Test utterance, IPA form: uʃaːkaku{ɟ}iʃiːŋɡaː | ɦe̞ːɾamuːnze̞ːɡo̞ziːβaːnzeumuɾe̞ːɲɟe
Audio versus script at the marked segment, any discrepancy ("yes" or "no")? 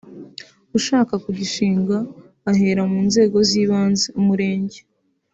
no